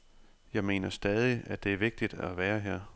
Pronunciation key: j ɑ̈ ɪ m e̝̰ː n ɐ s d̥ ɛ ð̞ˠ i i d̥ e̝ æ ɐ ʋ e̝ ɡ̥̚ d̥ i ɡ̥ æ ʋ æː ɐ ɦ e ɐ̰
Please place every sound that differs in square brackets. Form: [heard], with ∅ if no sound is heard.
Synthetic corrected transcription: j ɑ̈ ɪ m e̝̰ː n ɐ s d̥ ɛ ð̞ˠ i [æ] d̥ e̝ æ ɐ ʋ e̝ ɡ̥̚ d̥ i [d̥] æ ʋ æː ɐ ɦ e ɐ̰